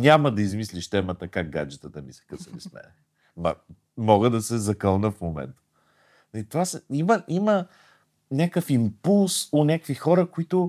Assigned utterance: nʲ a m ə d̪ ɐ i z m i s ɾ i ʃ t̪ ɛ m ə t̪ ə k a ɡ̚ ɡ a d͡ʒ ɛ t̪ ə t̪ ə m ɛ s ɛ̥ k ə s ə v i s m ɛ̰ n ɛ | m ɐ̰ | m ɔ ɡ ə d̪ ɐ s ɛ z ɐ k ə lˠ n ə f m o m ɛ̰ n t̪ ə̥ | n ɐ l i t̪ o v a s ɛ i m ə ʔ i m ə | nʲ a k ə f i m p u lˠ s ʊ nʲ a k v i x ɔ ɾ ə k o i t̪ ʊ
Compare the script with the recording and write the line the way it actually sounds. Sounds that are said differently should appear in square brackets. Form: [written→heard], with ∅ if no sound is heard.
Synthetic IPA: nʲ a m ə d̪ ɐ i z m i s [ɾ→l] i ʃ t̪ ɛ m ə t̪ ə k a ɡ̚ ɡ a d͡ʒ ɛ t̪ ə t̪ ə m [ɛ→i] s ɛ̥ k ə s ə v i s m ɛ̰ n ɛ | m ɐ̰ | m ɔ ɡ ə d̪ ɐ s ɛ z ɐ k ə lˠ n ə f m o m ɛ̰ n t̪ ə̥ | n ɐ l i t̪ o v a s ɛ i m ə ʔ i m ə | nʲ a k ə f i m p u lˠ s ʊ nʲ a k v i x ɔ ɾ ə k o i t̪ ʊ